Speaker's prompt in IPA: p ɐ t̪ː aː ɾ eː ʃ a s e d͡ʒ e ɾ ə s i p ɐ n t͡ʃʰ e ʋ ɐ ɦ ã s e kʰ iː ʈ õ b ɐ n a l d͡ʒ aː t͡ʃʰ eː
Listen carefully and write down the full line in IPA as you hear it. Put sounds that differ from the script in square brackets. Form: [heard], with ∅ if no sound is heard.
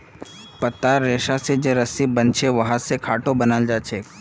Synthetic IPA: p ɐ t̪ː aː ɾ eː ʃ a s e d͡ʒ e ɾ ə s i [b] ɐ n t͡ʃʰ e ʋ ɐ ɦ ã s e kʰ [aː] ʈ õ b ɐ n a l d͡ʒ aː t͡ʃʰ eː